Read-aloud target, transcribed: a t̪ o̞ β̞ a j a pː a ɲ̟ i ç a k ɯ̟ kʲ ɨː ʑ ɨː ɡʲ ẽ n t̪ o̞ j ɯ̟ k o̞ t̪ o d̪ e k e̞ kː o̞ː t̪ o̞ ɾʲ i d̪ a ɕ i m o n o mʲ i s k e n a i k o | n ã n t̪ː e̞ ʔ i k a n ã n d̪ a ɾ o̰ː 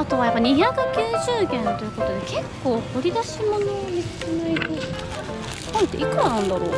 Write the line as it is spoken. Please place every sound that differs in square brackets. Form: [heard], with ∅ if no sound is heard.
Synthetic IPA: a t̪ o̞ β̞ a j a pː a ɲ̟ i ç a k ɯ̟ kʲ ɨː ʑ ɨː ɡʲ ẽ n t̪ o̞ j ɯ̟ k o̞ t̪ o d̪ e k e̞ kː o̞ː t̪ o̞ ɾʲ i d̪ a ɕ i m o n o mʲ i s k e n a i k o | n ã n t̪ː e̞ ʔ i k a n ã n d̪ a ɾ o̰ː